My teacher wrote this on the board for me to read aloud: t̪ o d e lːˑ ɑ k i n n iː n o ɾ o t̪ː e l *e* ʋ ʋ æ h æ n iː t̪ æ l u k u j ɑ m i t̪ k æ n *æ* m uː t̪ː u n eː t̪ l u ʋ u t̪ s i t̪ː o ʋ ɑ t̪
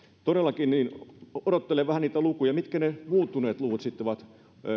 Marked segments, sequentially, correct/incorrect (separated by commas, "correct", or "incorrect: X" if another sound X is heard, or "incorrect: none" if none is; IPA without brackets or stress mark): correct, incorrect: e